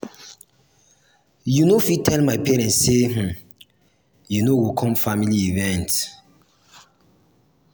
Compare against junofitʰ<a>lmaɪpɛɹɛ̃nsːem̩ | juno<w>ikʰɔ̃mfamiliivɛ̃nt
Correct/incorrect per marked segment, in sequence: incorrect, correct

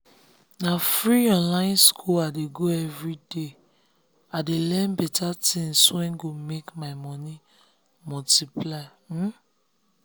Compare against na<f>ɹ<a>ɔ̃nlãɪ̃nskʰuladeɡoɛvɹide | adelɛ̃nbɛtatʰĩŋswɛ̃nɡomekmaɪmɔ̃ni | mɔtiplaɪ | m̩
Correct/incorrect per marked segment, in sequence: correct, incorrect

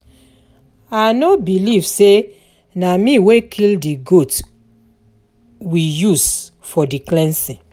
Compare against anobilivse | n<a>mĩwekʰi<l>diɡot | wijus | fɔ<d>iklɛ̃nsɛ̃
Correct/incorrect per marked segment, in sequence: correct, correct, correct

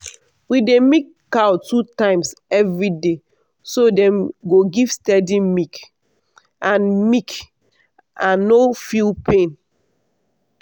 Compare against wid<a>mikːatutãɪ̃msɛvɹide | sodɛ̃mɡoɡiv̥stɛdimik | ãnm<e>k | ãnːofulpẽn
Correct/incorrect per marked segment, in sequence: incorrect, incorrect

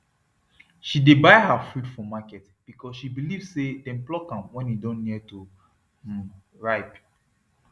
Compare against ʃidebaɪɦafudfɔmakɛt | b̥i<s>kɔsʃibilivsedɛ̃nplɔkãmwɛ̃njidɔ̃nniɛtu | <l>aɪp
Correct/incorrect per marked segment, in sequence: incorrect, incorrect

